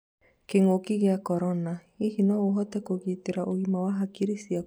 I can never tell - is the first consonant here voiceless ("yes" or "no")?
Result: yes